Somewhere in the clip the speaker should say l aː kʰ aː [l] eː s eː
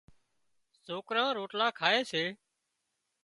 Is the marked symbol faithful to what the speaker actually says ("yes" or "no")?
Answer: no